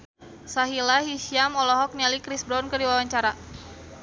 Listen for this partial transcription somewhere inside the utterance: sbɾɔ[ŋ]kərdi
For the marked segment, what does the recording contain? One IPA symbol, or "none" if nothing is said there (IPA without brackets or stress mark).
n